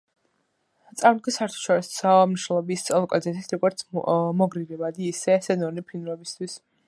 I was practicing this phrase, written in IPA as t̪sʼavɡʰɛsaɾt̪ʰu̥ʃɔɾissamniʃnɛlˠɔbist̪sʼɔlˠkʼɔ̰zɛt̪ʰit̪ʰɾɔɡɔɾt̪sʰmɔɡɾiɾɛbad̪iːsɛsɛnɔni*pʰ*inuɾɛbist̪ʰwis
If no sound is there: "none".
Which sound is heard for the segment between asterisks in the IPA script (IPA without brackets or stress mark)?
pʰ